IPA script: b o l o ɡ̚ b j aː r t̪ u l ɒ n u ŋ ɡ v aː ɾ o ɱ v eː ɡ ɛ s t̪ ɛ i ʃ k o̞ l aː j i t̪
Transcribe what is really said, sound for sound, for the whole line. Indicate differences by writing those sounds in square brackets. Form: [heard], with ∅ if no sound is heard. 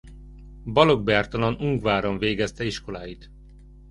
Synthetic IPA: b [ɒ] l o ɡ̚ b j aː r t̪ [ɒ] l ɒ n u ŋ ɡ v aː ɾ o ɱ v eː ɡ ɛ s t̪ ɛ i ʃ k o̞ l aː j i t̪